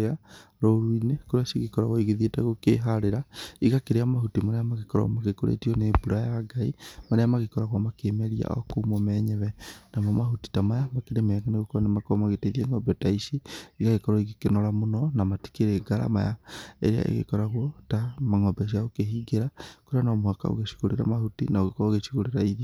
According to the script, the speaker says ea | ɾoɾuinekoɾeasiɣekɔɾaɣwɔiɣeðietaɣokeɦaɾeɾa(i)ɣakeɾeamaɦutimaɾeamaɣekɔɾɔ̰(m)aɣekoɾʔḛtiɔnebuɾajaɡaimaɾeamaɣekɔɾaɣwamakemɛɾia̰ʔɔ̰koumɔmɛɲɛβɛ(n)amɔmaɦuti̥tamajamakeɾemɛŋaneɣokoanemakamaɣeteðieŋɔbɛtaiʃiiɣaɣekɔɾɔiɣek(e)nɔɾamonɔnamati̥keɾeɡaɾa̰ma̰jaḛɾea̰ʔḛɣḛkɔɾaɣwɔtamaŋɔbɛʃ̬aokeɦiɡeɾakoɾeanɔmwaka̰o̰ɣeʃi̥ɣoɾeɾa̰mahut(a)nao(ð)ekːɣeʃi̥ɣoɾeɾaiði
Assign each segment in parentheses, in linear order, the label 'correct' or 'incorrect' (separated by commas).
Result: correct, correct, correct, correct, incorrect, incorrect